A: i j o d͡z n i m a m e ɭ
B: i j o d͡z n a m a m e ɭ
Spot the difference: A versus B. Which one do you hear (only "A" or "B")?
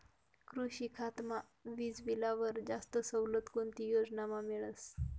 B